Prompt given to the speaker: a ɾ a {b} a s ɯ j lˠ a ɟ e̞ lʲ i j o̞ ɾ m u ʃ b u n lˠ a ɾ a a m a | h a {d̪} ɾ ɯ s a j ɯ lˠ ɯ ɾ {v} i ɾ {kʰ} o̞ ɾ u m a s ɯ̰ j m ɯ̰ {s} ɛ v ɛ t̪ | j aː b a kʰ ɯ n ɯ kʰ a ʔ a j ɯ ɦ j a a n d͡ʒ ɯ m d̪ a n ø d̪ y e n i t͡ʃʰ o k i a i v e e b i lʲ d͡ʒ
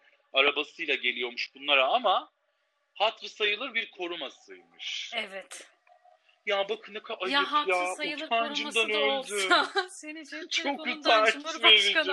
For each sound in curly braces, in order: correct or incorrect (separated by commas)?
correct, incorrect, incorrect, correct, incorrect